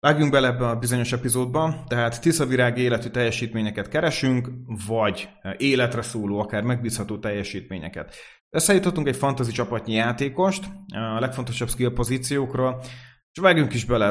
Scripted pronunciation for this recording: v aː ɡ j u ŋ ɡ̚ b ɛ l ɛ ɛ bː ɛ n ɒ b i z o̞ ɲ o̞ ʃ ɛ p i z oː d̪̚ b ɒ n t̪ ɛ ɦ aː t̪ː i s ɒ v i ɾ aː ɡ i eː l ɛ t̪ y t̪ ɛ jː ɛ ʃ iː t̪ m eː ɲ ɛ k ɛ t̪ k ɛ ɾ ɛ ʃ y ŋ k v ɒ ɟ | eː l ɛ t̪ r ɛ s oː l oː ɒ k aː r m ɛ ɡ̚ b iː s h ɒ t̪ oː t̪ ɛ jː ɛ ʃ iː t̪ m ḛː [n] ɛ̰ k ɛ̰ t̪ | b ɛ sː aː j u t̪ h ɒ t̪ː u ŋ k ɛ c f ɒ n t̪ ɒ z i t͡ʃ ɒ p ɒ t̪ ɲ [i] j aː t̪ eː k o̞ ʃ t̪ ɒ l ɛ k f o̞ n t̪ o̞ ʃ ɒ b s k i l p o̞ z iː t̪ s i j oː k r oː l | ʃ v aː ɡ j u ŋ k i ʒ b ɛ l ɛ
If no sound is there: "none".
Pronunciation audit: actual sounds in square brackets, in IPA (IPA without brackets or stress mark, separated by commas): ɲ, i